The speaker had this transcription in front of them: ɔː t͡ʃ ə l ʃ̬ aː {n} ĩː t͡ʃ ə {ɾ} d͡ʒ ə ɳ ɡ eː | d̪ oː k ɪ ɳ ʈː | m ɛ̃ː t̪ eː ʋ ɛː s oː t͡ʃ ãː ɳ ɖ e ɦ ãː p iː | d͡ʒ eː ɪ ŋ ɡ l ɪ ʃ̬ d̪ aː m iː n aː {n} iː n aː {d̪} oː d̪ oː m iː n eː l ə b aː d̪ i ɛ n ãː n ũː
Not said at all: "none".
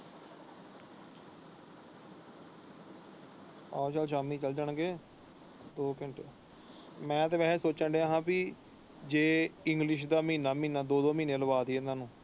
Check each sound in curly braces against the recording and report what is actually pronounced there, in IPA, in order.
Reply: m, l, m, d̪

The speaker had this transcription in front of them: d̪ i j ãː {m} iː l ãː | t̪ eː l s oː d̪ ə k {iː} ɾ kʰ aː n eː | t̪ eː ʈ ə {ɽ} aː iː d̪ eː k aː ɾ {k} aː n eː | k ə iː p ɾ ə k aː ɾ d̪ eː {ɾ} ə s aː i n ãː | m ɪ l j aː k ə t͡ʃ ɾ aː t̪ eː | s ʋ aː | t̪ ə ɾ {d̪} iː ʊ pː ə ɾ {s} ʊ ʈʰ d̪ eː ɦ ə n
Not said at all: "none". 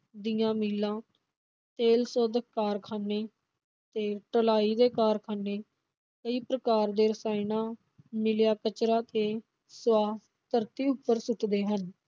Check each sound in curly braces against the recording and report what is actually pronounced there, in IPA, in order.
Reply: m, aː, l, kʰ, ɾ, t̪, s

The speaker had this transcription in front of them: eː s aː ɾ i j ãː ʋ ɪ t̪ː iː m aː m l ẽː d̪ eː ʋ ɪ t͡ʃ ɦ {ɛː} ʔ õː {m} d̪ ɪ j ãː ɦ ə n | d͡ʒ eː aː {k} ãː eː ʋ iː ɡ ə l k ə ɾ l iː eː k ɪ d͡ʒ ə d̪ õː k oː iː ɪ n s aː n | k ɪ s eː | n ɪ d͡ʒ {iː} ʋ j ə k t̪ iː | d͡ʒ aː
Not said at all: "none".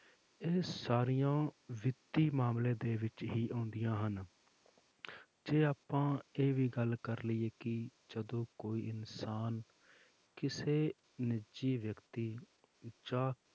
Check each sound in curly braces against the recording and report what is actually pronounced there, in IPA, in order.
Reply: iː, n, p, iː

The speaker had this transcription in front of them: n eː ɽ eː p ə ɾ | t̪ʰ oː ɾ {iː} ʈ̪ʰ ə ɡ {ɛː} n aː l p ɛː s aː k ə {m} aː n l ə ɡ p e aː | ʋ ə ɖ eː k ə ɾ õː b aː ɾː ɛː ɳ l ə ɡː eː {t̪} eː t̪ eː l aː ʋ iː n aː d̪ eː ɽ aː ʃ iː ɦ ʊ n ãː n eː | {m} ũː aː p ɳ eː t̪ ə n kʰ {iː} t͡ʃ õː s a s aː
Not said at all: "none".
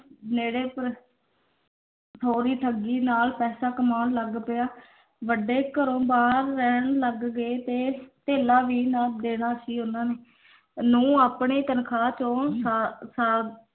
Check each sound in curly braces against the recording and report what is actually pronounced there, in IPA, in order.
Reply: iː, iː, m, t̪, n, aː

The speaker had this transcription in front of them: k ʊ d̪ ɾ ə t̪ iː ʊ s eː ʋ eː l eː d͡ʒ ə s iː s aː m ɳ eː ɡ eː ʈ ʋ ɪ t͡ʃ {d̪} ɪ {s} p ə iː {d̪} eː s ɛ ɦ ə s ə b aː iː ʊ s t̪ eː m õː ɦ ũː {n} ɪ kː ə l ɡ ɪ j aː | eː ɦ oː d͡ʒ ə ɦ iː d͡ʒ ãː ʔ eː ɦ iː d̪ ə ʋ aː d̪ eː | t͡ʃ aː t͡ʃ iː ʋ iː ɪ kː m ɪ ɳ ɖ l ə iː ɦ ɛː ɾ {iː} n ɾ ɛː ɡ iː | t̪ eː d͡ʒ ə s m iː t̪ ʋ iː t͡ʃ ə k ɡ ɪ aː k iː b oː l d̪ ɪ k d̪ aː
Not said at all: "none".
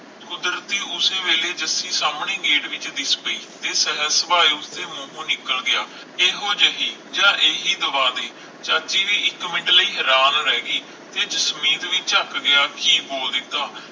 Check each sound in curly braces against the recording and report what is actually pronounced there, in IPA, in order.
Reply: d̪, s, t̪, n, aː

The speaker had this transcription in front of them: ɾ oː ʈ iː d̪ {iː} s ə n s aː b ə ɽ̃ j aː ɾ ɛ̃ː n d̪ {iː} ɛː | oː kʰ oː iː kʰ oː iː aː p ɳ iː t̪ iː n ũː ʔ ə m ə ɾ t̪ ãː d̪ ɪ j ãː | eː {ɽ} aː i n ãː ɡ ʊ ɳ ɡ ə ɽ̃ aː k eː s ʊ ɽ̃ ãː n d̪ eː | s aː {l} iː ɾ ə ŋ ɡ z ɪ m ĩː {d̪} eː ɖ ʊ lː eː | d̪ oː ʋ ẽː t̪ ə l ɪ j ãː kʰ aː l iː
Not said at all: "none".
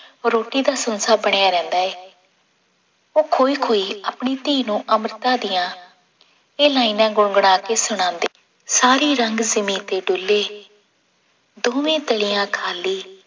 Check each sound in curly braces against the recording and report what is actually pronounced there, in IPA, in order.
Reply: aː, aː, l, ɾ, t̪

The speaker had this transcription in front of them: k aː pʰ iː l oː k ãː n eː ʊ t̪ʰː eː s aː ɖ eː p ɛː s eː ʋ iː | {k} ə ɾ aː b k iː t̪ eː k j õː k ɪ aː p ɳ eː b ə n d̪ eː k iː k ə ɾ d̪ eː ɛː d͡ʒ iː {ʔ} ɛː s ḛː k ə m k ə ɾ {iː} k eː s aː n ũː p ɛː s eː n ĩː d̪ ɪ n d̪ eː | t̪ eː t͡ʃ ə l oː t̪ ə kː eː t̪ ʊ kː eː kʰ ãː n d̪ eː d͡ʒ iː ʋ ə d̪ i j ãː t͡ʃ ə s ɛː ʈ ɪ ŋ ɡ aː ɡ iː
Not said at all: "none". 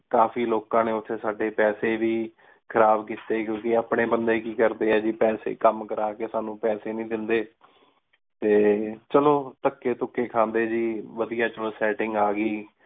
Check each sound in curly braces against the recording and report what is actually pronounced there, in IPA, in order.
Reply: kʰ, p, aː

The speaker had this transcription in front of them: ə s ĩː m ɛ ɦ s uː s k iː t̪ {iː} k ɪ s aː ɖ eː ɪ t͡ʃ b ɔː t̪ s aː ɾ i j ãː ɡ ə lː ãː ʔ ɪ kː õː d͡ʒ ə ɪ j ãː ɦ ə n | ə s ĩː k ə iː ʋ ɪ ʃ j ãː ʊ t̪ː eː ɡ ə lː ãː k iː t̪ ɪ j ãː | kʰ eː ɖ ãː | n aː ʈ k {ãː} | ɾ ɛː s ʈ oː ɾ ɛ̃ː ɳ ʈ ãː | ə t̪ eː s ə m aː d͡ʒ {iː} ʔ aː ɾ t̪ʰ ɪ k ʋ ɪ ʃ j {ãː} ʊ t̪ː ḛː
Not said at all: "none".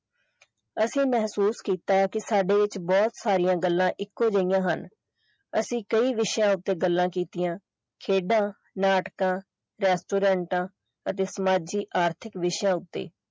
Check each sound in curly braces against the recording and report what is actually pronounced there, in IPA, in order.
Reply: aː, ãː, iː, ãː

